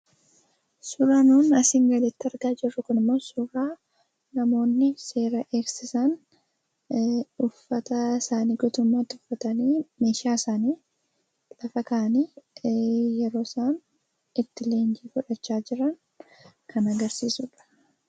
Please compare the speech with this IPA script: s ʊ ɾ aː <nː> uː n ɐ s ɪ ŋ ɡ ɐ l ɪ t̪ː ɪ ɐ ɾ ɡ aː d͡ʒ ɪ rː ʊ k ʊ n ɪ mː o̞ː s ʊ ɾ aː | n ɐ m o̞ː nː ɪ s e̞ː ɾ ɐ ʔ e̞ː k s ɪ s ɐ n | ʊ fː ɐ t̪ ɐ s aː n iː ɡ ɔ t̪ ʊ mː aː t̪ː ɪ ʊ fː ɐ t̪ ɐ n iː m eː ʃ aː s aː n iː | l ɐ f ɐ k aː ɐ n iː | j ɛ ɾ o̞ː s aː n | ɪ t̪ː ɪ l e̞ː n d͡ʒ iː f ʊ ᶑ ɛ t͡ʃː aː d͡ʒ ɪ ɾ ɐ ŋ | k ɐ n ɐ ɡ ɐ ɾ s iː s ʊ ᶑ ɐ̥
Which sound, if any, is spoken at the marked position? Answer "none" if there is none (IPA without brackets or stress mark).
n